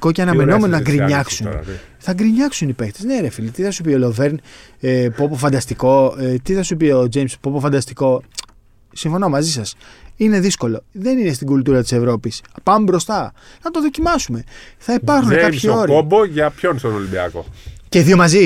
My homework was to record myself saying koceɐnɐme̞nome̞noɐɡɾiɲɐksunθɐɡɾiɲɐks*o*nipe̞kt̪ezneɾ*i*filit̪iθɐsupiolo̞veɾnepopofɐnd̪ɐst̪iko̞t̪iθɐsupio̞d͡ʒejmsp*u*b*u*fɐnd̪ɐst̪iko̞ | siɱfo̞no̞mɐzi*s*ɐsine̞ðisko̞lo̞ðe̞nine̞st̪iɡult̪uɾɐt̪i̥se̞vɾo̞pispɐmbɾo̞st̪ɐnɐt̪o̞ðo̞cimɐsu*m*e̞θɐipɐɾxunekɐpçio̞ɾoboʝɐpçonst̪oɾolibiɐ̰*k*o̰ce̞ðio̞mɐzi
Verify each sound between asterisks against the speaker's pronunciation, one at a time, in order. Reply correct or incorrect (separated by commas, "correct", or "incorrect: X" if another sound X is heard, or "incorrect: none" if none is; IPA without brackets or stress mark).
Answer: incorrect: u, incorrect: e, incorrect: o, incorrect: o, correct, correct, correct